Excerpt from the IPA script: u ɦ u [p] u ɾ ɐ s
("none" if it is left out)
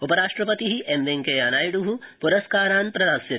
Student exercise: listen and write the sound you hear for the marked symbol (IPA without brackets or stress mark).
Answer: p